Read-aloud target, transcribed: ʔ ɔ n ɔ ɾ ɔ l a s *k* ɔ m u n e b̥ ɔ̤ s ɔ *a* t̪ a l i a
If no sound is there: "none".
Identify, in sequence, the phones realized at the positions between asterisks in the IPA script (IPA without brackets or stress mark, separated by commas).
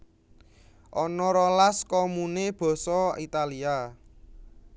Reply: k, i